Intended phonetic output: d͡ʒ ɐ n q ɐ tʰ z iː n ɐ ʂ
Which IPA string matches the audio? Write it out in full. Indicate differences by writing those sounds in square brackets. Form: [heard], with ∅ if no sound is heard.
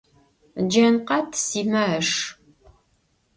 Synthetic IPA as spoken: d͡ʒ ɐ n q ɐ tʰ [s] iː [m] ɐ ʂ